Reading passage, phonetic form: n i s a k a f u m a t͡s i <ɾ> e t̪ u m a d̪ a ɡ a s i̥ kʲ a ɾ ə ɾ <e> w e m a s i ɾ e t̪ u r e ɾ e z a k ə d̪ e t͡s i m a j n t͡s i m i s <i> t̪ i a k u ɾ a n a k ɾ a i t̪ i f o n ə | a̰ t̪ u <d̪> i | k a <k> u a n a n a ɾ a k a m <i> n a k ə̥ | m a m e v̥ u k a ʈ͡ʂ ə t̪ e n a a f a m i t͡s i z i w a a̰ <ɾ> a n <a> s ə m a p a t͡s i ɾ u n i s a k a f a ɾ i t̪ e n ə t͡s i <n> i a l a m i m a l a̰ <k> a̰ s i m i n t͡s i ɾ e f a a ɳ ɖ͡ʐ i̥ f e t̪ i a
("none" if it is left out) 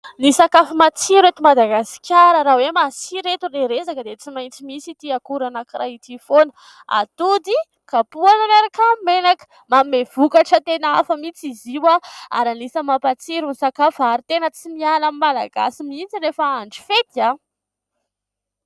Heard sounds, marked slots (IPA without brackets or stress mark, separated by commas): ɾ, a, i, d̪, p, e, ɾ, i, m, ɡ